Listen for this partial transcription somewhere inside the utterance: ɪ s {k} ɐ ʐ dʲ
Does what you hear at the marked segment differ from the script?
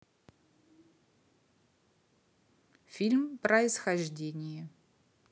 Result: yes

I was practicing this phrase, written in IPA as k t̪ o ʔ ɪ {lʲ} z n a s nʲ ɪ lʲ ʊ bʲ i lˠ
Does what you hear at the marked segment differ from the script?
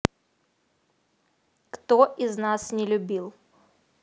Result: yes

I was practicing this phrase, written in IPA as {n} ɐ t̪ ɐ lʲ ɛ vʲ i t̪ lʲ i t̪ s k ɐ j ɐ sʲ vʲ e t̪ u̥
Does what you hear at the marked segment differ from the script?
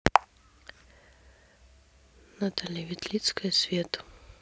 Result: no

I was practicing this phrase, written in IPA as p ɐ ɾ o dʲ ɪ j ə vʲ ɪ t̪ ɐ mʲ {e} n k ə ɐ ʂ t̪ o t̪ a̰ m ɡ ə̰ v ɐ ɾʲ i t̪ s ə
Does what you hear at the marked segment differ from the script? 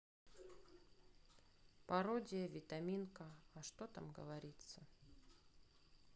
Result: yes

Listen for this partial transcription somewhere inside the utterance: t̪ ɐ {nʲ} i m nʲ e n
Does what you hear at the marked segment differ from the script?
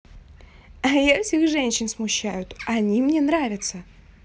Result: no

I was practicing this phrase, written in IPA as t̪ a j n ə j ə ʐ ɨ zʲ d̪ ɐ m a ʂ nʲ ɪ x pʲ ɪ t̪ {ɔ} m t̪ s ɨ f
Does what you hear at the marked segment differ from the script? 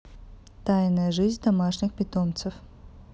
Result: yes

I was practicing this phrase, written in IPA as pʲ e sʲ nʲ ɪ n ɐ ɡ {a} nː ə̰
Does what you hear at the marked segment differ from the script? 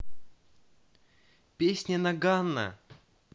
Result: no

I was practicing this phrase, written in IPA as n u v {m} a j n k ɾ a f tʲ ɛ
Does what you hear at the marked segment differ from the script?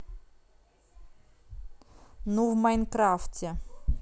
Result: no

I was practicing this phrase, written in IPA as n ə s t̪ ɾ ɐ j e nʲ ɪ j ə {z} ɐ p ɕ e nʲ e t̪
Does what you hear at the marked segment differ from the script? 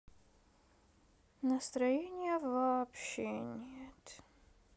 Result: yes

